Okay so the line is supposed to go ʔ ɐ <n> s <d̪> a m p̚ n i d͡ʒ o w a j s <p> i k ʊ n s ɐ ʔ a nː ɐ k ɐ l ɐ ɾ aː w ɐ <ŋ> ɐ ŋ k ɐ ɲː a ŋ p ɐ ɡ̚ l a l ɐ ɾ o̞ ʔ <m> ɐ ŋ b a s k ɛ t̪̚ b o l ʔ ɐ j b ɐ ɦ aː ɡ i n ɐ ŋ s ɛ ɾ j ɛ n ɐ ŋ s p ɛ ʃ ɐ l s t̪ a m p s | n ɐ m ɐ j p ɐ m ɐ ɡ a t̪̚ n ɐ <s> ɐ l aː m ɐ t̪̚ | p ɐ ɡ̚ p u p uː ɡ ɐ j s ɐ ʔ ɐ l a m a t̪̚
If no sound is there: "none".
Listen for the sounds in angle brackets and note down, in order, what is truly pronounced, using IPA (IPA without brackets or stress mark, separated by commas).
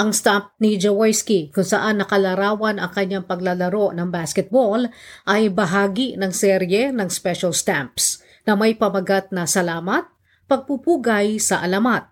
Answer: ŋ, t̪, k, n, n, s